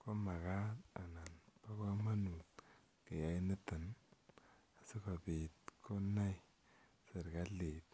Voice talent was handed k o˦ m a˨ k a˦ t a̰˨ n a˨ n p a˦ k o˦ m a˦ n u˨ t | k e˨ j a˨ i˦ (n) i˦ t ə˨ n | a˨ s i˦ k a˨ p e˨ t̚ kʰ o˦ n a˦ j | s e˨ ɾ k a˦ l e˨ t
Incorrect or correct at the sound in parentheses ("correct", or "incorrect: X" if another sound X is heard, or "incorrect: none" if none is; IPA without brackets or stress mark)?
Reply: correct